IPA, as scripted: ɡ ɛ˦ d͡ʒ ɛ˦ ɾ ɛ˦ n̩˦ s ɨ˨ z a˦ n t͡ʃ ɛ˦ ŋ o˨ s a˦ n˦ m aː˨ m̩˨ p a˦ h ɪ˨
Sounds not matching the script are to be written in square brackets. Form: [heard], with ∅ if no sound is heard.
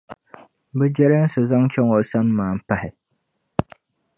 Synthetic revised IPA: [b] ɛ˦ d͡ʒ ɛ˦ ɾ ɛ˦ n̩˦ s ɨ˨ z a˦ [ŋ] t͡ʃ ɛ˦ ŋ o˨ s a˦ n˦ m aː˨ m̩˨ p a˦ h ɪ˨